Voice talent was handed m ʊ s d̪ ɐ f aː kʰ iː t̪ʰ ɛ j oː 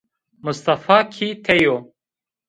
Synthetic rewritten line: m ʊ s t̪ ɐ f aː kʰ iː t̪ʰ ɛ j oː